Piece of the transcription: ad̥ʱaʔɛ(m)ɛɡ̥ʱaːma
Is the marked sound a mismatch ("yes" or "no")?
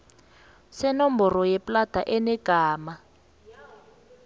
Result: yes